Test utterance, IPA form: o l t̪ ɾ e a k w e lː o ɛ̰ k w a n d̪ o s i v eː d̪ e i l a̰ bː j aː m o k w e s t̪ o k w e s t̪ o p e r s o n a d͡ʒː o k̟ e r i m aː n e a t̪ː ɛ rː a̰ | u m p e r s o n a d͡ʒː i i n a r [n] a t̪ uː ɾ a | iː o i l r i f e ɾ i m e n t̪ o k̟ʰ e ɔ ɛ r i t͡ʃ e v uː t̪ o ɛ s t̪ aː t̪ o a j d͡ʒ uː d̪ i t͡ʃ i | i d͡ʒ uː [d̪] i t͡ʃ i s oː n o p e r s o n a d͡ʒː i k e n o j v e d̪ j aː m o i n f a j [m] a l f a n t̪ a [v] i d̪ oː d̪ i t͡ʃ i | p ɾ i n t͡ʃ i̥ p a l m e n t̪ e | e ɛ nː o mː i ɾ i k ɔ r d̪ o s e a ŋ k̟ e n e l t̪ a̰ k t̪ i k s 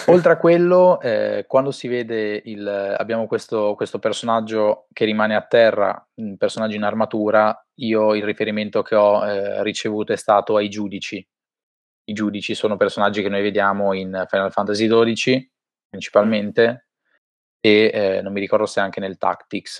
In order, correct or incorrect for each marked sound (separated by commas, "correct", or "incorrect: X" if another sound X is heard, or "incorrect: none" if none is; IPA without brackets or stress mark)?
incorrect: m, correct, incorrect: n, incorrect: z